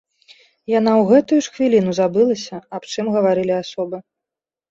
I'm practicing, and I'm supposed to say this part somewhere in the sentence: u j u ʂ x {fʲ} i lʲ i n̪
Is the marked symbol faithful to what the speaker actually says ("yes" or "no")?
no